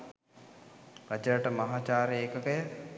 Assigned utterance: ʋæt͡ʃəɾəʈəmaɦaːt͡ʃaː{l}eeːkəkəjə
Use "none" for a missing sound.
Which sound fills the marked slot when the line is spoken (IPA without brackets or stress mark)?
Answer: ɾ